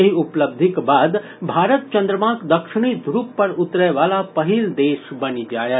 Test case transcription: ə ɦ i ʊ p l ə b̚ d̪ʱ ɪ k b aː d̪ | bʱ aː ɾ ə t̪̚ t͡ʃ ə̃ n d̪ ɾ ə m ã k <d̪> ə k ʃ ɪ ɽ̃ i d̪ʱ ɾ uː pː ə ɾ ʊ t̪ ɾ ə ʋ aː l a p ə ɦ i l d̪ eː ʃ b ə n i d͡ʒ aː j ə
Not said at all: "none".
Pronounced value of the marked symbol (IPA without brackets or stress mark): d̪